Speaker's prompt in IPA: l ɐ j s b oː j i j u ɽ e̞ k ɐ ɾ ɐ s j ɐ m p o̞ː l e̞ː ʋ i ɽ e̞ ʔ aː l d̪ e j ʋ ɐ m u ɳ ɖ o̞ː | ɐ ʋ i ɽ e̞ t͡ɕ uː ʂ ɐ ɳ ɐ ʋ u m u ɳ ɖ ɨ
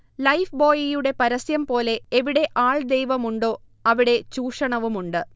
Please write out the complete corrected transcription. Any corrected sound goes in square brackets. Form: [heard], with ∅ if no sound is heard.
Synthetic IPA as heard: l ɐ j [f] b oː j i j u ɽ e̞ [p] ɐ ɾ ɐ s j ɐ m p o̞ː l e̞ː ʋ i ɽ e̞ ʔ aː [ɭ] d̪ e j ʋ ɐ m u ɳ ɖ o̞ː | ɐ ʋ i ɽ e̞ t͡ɕ uː ʂ ɐ ɳ ɐ ʋ u m u ɳ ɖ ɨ